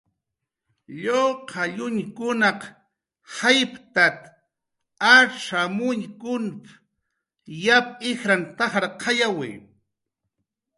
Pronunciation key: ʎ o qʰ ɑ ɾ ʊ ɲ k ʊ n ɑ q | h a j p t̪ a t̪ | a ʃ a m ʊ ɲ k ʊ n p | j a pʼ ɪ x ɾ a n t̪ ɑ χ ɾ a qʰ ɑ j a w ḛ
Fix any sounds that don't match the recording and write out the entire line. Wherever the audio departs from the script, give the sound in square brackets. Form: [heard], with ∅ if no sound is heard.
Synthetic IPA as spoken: ʎ o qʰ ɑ [ʎ] ʊ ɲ k ʊ n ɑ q | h a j p t̪ a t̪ | a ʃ a m ʊ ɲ k ʊ n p | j a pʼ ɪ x ɾ a n t̪ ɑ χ ɾ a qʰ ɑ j a w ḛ